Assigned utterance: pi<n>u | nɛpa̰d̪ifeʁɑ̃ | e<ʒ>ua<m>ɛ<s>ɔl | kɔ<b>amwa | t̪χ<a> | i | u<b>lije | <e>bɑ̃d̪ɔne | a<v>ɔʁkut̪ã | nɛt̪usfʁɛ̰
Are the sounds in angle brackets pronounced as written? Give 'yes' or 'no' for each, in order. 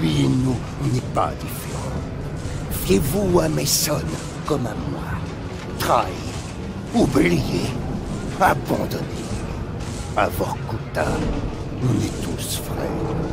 yes, no, yes, yes, no, yes, yes, no, yes

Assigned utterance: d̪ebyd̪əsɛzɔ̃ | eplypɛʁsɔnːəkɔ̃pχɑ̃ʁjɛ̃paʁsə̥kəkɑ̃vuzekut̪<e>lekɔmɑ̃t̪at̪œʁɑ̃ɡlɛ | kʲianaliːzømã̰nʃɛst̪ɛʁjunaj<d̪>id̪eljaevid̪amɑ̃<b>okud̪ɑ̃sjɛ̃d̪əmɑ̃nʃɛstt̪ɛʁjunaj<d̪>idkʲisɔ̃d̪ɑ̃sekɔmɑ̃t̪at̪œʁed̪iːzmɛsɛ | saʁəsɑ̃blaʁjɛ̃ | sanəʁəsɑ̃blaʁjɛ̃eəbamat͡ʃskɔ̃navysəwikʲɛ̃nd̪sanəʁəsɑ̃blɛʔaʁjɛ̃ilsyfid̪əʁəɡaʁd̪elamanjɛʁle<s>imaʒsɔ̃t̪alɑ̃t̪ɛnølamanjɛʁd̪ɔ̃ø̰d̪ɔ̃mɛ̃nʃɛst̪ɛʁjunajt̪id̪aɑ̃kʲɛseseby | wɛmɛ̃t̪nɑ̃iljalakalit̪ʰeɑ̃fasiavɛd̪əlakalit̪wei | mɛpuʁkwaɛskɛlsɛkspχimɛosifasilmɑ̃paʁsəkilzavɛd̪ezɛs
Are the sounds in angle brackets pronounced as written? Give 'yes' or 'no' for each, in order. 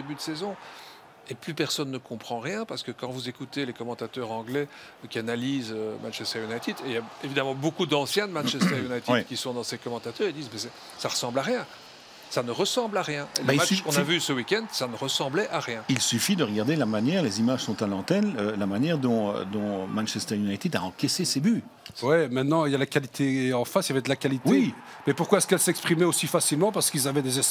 yes, no, yes, no, no

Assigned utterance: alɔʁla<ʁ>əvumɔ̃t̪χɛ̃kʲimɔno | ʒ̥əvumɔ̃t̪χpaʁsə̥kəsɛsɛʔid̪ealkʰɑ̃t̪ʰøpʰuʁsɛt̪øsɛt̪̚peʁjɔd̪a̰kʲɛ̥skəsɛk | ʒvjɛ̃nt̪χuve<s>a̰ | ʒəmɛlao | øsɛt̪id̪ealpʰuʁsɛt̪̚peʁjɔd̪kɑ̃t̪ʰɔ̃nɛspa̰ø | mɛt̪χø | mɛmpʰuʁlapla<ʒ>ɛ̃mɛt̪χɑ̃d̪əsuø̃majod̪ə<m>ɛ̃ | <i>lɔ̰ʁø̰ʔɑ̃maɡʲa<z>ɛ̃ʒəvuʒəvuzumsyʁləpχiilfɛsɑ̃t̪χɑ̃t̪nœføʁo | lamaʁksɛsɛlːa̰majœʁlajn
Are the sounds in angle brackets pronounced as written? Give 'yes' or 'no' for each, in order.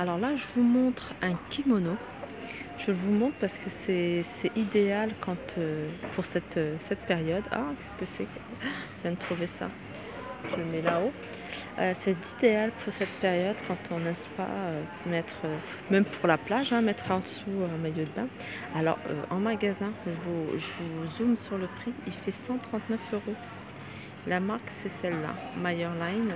no, yes, yes, no, no, yes

